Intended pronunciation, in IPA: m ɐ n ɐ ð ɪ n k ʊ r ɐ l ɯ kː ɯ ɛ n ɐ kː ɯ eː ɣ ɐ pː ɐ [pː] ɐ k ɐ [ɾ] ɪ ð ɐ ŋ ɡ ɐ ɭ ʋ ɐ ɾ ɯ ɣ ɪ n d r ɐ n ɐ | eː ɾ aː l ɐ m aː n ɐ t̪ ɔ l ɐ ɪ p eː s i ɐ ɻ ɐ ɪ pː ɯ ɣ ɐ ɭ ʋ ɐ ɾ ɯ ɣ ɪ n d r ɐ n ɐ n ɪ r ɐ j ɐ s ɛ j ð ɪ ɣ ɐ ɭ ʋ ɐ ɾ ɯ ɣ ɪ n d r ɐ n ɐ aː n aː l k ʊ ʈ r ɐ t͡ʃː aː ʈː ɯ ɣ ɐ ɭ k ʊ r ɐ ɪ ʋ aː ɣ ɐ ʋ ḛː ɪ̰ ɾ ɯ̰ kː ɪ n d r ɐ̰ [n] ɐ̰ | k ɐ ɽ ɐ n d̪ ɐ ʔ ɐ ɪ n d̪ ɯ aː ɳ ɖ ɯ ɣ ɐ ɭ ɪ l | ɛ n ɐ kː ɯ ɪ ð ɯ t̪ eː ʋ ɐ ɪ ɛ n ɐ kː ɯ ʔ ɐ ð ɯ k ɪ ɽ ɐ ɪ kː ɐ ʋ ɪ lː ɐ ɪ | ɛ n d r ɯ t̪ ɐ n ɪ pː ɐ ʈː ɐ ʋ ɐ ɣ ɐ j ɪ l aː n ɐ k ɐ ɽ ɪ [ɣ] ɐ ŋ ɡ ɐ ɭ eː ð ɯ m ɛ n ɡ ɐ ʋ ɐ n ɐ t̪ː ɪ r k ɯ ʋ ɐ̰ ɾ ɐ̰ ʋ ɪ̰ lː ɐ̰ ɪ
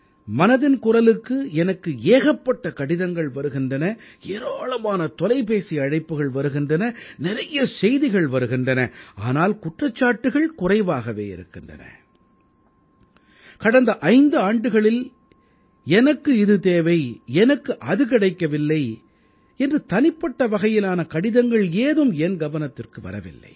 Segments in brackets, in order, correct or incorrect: incorrect: ʈː, incorrect: ɽ, correct, incorrect: ð

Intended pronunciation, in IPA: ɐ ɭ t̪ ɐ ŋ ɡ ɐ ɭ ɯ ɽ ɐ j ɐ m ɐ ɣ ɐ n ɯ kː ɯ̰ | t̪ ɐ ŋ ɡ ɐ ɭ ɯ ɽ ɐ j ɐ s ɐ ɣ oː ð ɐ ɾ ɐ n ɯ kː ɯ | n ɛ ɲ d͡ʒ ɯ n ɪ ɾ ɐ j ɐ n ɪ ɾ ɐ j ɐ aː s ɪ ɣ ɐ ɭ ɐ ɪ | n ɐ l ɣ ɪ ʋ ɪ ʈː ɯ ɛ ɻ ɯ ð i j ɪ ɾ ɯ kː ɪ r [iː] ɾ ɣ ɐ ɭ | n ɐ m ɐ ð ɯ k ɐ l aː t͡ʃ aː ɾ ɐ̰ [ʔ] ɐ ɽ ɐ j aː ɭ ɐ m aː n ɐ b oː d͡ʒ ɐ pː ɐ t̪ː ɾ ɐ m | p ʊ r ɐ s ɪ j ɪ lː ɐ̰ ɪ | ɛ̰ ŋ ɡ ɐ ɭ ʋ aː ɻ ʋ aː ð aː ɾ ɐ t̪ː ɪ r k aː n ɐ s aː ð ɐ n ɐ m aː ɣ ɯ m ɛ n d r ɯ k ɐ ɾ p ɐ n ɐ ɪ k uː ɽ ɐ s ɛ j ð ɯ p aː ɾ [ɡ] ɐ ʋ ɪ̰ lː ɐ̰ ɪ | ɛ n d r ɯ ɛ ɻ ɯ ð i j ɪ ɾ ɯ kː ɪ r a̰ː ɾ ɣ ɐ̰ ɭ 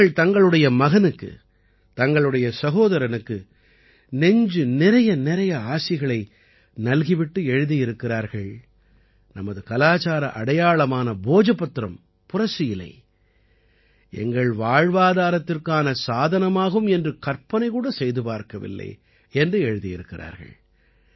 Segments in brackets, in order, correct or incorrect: incorrect: aː, correct, incorrect: k

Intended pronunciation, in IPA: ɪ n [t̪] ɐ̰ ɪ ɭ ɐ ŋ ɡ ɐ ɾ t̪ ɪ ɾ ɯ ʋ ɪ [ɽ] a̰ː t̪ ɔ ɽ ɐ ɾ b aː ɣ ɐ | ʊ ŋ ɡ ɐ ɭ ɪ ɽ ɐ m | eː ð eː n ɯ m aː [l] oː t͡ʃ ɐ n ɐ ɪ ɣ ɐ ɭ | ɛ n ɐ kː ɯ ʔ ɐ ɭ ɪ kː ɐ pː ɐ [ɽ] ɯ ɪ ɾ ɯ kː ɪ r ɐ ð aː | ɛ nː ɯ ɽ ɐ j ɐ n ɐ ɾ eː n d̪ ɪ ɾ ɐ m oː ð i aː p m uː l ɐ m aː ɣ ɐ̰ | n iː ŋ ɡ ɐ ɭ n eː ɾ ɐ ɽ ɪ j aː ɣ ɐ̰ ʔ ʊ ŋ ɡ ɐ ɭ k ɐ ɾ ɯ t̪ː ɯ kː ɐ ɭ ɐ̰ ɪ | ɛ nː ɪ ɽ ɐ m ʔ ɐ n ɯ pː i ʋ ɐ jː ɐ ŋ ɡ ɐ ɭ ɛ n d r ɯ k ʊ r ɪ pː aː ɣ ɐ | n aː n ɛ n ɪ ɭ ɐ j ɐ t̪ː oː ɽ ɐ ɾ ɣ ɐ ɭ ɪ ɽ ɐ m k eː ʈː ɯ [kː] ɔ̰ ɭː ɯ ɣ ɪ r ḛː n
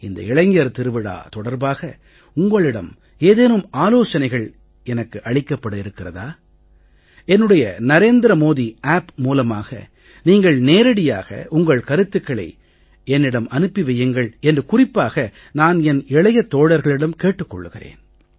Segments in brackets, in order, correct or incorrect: incorrect: d̪, correct, correct, correct, correct

